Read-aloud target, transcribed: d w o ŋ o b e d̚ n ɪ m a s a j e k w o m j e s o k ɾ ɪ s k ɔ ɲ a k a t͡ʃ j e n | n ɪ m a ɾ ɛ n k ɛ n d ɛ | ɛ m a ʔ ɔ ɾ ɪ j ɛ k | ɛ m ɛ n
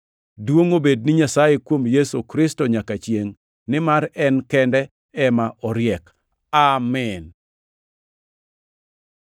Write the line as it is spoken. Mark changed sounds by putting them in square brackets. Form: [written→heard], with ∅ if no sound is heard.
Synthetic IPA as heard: d w o ŋ o b e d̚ n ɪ [m→ɲ] a s a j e k w o m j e s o k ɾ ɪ s [k→t] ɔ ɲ a k a t͡ʃ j e [n→ŋ] | n ɪ m a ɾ ɛ n k ɛ n d ɛ | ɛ m a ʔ ɔ ɾ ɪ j ɛ k | [ɛ→a] m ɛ n